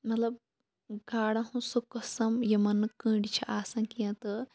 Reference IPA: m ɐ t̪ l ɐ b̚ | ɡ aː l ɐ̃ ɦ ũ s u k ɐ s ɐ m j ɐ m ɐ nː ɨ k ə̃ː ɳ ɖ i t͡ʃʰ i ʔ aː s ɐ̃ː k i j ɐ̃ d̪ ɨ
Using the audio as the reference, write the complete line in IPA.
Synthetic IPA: m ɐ t̪ l ɐ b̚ | ɡ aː ɽ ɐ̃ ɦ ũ s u k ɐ s ɐ m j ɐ m ɐ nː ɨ k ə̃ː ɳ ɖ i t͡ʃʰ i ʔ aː s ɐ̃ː k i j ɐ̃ t̪ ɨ